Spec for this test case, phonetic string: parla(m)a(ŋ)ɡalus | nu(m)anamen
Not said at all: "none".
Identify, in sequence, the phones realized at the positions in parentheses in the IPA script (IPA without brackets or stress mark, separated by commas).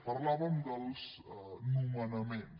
m, n, m